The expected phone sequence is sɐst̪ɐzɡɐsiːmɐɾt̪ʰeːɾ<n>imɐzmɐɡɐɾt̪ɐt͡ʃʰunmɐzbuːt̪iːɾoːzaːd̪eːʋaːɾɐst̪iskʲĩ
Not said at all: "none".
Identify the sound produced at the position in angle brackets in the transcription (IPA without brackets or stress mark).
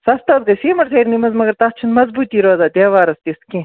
n